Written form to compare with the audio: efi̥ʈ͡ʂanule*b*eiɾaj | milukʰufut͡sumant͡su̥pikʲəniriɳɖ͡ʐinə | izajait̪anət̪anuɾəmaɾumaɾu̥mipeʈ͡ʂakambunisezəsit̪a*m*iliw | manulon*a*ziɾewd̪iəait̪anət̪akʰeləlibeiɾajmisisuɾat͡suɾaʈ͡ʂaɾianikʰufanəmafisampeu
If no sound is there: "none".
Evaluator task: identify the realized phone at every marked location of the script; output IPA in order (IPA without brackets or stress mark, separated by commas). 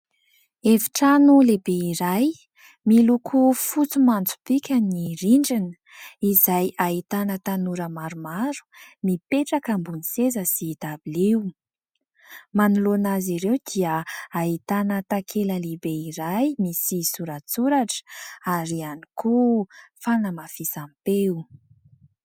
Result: b, b, a